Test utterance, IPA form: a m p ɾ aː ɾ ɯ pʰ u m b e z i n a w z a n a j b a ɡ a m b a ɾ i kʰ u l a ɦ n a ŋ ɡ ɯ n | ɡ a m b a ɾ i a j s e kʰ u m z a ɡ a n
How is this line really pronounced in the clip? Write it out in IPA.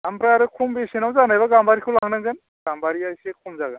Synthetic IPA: a m p ɾ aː ɾ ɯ kʰ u m b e s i n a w z a n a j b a ɡ a m b a ɾ i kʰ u l a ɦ n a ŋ ɡ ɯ n | ɡ a m b a ɾ i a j s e kʰ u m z a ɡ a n